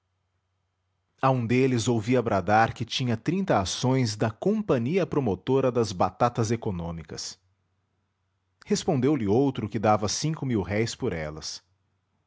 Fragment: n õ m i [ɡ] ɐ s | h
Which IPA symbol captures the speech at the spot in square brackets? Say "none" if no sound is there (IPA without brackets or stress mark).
k